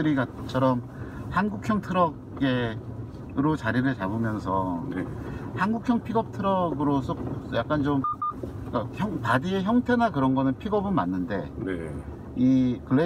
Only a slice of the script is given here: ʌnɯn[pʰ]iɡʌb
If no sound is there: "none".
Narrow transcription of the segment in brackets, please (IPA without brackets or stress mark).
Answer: pʰ